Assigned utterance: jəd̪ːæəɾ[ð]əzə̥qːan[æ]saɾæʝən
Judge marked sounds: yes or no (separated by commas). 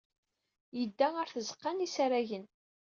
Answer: no, no